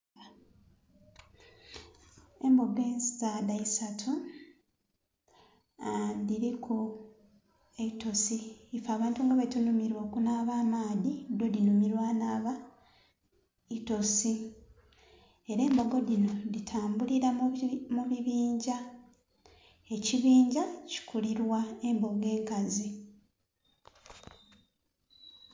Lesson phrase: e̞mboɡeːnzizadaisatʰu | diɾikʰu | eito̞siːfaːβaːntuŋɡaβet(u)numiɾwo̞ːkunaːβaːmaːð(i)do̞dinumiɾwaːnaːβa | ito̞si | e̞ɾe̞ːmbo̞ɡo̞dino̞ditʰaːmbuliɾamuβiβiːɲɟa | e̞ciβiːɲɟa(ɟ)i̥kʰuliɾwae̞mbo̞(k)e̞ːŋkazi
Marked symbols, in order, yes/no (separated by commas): yes, yes, no, no